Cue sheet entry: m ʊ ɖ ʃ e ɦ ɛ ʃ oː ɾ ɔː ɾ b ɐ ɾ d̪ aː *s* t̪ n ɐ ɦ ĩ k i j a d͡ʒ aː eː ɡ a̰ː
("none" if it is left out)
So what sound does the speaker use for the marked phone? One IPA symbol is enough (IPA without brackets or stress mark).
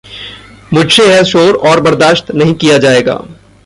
ʃ